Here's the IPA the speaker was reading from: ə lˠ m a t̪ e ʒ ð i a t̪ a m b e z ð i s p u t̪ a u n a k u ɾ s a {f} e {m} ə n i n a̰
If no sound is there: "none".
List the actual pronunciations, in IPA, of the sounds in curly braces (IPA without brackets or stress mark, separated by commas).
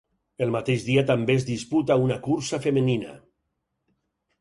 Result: f, m